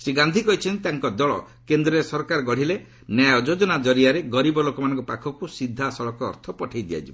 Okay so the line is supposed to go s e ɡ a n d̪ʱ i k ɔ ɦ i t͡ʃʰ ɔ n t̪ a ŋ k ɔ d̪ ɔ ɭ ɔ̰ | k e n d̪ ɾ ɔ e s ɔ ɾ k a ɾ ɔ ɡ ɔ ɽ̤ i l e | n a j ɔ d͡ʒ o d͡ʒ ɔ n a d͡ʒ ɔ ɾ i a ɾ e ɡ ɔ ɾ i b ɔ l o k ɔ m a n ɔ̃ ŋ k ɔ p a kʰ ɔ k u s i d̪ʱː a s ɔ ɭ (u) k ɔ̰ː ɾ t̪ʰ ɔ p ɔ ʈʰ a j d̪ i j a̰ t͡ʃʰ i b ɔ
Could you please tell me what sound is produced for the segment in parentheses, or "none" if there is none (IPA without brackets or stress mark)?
ɔ